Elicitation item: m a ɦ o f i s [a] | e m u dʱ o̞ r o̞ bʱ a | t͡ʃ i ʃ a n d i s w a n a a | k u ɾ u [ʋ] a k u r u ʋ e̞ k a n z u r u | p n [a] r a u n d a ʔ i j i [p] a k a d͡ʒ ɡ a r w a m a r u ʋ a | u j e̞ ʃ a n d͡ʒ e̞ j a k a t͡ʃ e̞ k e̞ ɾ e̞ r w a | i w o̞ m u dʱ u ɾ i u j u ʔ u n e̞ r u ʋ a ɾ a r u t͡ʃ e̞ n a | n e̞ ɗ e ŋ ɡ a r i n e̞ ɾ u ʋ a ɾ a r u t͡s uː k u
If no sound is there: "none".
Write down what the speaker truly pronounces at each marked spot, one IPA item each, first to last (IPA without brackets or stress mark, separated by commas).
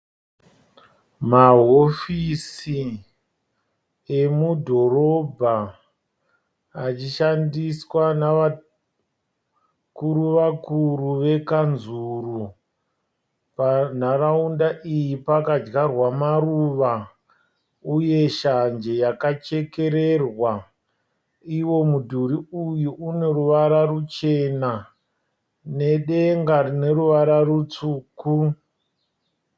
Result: i, ʋ, a, p